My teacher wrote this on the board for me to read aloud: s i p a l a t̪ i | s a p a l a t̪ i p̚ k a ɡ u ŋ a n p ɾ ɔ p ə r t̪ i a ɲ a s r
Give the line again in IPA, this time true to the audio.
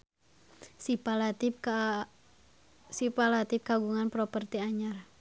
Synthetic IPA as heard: s i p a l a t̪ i | s i p a l a t̪ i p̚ k a ɡ u ŋ a n p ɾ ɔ p ə r t̪ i a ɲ a r